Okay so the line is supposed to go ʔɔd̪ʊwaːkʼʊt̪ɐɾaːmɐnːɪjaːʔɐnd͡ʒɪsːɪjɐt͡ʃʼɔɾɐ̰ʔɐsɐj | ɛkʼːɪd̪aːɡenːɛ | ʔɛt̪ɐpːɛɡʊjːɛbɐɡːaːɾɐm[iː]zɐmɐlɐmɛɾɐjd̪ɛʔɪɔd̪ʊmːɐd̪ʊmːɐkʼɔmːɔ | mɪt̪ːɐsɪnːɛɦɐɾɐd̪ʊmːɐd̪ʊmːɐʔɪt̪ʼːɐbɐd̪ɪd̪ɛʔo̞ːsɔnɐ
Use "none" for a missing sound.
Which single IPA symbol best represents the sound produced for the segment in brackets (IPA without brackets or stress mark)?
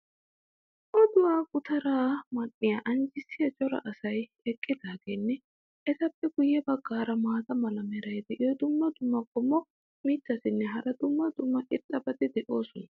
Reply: aː